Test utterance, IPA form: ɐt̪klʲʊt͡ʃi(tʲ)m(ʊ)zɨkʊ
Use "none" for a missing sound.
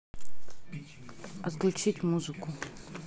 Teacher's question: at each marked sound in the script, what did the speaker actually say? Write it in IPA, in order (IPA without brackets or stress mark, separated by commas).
tʲ, u